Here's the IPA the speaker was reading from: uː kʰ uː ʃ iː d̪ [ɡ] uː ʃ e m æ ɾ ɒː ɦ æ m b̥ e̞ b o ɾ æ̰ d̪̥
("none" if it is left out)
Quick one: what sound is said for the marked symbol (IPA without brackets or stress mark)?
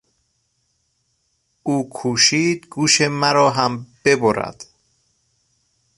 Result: ɡ